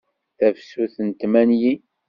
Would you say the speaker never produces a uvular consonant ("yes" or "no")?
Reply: yes